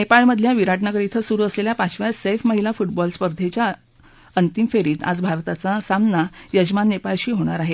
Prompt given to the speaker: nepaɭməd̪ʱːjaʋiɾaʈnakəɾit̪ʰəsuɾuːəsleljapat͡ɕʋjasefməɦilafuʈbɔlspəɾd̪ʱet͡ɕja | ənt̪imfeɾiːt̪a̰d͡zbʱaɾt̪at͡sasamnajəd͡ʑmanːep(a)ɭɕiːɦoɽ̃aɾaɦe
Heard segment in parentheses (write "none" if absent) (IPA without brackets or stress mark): a